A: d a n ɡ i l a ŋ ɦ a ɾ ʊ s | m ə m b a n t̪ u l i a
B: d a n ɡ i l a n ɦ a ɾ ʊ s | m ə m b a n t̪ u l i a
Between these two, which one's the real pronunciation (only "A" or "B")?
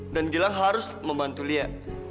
A